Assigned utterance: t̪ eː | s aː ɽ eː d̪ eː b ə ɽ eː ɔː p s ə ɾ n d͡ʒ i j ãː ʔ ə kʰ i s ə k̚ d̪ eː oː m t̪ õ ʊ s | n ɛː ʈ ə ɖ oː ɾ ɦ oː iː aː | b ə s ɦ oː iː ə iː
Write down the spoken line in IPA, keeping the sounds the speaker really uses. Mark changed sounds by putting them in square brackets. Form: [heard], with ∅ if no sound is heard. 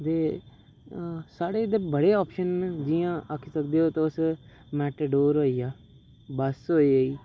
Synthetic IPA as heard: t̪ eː | s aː ɽ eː d̪ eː b ə ɽ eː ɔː p [ʃ] ə [∅] n d͡ʒ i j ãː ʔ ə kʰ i s ə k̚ d̪ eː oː [∅] t̪ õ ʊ s | [m] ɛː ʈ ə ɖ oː ɾ ɦ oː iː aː | b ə s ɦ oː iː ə iː

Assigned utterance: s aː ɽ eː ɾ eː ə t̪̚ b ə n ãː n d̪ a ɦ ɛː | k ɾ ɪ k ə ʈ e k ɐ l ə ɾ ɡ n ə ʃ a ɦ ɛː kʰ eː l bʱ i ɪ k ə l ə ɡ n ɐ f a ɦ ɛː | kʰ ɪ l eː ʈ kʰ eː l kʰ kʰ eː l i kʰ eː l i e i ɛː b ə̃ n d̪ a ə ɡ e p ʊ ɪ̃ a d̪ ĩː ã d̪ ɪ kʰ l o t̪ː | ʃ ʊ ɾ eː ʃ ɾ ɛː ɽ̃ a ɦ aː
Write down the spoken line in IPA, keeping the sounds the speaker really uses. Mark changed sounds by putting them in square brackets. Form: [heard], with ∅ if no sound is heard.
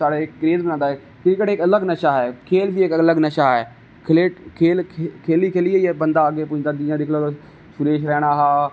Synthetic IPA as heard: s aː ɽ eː ɾ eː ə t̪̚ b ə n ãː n d̪ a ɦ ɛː | k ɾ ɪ k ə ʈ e k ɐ l ə [∅] ɡ n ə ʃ a ɦ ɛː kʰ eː l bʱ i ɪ k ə l ə ɡ n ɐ [ʃ] a ɦ ɛː | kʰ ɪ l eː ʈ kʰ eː l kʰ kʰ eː l i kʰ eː l i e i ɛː b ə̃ n d̪ a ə ɡ e p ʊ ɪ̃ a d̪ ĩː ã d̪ ɪ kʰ l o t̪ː | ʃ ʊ ɾ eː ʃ ɾ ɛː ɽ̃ a ɦ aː

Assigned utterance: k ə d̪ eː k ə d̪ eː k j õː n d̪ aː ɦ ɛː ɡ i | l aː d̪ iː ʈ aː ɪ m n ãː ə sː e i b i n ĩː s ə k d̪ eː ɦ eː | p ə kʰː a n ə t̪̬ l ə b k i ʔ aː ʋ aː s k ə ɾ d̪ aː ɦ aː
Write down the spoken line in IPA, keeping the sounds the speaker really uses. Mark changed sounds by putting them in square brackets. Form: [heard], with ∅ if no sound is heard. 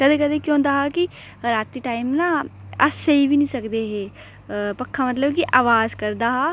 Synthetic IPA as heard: k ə d̪ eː k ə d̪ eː k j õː n d̪ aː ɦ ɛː [k] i | [ɾ] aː [t̪] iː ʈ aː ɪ m n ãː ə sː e i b i n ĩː s ə k d̪ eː ɦ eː | p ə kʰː a [m] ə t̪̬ l ə b k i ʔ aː ʋ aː [z] k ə ɾ d̪ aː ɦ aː

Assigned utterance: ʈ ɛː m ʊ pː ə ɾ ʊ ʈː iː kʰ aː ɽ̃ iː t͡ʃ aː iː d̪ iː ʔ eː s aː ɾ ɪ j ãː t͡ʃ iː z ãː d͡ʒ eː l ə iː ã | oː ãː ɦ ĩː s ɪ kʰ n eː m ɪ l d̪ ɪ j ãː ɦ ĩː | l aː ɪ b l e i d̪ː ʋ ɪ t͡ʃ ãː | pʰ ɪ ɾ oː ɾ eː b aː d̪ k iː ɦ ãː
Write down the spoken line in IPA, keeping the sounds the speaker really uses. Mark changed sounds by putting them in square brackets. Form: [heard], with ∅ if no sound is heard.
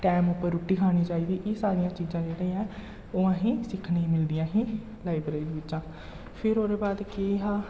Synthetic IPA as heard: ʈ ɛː m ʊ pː ə ɾ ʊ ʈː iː kʰ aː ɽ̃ iː t͡ʃ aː iː d̪ iː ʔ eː s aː ɾ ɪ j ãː t͡ʃ iː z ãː d͡ʒ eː [ɽ] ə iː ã | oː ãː ɦ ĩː s ɪ kʰ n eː m ɪ l d̪ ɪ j ãː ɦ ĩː | l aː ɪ b [ɾ] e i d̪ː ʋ ɪ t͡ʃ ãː | pʰ ɪ ɾ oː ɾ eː b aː d̪ k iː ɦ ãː

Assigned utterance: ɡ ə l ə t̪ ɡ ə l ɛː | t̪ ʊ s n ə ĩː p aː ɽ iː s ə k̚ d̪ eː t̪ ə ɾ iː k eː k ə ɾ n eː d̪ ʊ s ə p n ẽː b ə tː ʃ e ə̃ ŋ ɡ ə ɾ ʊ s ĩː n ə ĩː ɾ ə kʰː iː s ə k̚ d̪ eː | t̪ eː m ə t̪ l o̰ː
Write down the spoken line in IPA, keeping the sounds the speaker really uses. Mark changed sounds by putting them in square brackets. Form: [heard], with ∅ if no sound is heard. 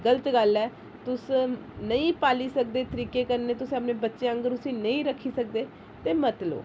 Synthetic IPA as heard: ɡ ə l ə t̪ ɡ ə l ɛː | t̪ ʊ s n ə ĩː p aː [l] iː s ə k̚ d̪ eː t̪ ə ɾ iː k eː k ə ɾ n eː [t̪] ʊ s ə p n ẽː b ə tː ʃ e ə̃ ŋ ɡ ə ɾ ʊ s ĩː n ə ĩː ɾ ə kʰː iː s ə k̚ d̪ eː | t̪ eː m ə t̪ l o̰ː

